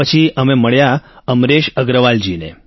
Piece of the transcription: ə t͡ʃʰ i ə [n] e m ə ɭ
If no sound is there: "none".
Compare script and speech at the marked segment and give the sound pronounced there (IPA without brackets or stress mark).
m